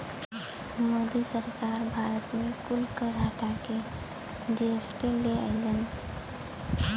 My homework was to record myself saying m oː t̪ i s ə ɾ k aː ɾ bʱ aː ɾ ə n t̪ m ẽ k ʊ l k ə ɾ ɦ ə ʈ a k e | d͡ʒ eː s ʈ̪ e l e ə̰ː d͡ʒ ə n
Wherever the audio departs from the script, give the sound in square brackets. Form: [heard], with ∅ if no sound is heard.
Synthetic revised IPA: m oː [d̪] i s ə ɾ k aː ɾ bʱ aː ɾ ə [∅] t̪ m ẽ k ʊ l k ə ɾ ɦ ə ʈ a k e | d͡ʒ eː s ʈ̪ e l e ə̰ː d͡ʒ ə n